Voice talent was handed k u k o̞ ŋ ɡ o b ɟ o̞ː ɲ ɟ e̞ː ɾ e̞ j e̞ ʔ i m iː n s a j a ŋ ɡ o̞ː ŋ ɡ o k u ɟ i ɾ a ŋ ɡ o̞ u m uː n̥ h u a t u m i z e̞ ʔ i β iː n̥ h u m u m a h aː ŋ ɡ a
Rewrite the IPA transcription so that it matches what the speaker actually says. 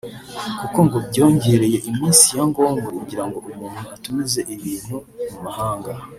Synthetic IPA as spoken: k u k o̞ ŋ ɡ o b ɟ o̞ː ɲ ɟ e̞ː ɾ e̞ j e̞ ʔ i m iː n s i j a ŋ ɡ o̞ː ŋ ɡ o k u ɟ i ɾ a ŋ ɡ o̞ u m uː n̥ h u a t u m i z e̞ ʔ i β iː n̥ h u m u m a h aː ŋ ɡ a

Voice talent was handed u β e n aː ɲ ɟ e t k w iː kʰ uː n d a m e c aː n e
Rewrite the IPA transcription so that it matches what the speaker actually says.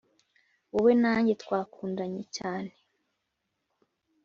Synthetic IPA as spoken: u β e n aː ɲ ɟ e t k w aː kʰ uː n d a ɲ e c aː n e

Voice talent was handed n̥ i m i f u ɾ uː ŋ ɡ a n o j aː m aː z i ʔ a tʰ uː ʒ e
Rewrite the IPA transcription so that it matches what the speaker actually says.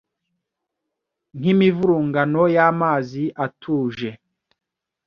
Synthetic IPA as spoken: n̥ i m i v u ɾ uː ŋ ɡ a n o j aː m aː z i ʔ a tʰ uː ʒ e

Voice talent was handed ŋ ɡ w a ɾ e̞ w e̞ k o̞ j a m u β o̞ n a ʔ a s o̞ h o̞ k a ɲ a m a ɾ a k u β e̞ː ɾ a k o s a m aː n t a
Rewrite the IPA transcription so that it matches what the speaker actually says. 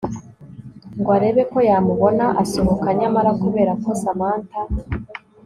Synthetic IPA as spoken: ŋ ɡ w a ɾ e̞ β e̞ k o̞ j a m u β o̞ n a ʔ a s o̞ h o̞ k a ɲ a m a ɾ a k u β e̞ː ɾ a k o s a m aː n t a

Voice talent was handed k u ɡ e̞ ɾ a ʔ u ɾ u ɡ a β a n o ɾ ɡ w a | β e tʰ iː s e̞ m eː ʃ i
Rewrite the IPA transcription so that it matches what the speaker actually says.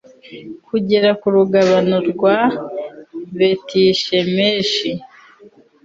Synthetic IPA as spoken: k u ɟ e̞ ɾ a k u ɾ u ɡ a β a n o ɾ ɡ w a | β e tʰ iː ʃ e̞ m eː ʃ i

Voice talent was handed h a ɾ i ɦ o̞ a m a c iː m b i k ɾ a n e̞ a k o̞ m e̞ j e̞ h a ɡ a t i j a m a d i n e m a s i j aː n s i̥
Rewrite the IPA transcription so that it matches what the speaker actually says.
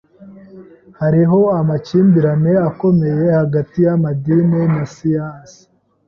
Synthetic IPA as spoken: h a ɾ i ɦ o̞ a m a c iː m b i ɾ a n e̞ a k o̞ m e̞ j e̞ h a ɡ a t i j a m a d i n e n a s i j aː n s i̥

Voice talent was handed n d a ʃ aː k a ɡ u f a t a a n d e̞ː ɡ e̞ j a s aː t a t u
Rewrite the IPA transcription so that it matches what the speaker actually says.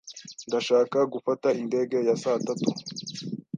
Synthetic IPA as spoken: n d a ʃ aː k a ɡ u f a t a i n d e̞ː ɡ e̞ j a s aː t a t u

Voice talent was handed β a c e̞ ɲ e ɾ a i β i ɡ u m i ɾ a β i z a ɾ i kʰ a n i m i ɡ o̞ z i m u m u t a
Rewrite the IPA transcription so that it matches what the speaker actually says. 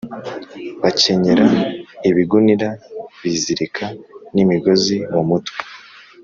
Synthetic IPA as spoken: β a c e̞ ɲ e ɾ a i β i ɡ u n i ɾ a β i z i ɾ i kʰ a n i m i ɡ o̞ z i m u m u t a

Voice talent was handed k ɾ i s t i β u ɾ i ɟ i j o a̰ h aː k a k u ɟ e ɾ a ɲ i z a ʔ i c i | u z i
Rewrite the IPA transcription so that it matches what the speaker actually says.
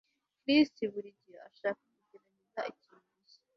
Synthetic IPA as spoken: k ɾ i s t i β u ɾ i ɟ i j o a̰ ʃ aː k a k u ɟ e ɾ a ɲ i z a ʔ i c i | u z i

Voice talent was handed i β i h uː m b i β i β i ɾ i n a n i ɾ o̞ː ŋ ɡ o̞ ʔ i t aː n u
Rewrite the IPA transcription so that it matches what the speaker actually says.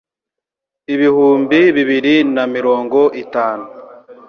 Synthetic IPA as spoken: i β i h uː m b i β i β i ɾ i n a m i ɾ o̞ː ŋ ɡ o̞ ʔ i t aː n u

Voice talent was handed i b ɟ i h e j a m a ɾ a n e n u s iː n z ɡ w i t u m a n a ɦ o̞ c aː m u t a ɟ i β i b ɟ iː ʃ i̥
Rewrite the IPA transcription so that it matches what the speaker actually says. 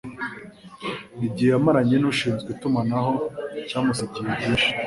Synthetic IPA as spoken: i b ɟ i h e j a m a ɾ a ɲ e n u ʃ iː n z ɡ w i t u m a n a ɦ o̞ c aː m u s a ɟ i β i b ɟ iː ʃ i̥

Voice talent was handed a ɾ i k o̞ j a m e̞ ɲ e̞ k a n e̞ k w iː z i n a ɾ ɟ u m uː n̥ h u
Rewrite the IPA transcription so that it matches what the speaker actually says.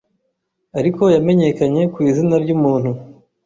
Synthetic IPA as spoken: a ɾ i k o̞ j a m e̞ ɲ e̞ k a ɲ e̞ k w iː z i n a ɾ ɟ u m uː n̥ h u

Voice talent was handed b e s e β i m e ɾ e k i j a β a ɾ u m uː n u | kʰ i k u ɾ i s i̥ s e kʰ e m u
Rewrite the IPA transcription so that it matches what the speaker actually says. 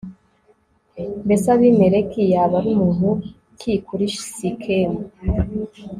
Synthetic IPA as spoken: b e s a β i m e ɾ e k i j a β a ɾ u m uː n u | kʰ i k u ɾ i ʃ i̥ s i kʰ e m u

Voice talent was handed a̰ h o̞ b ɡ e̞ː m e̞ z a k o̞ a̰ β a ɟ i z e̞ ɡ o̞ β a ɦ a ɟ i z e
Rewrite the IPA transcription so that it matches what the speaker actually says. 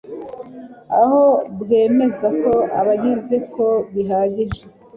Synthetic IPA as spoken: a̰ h o̞ b ɡ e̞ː m e̞ z a k o̞ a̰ β a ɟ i z e̞ k o̞ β i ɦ a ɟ i ʒ e

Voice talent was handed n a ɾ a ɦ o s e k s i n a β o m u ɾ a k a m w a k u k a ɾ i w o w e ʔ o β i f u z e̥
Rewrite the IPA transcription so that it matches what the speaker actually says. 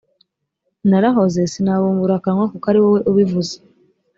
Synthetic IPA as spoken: n a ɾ a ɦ o z e s i n a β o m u ɾ a k a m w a k u k a ɾ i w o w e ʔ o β i v u z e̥

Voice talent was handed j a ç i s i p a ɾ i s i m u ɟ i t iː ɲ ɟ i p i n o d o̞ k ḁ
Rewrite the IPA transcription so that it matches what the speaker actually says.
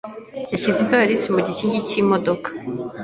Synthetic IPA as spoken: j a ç i z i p a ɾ i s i m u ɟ i c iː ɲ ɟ i c i m o d o̞ k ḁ

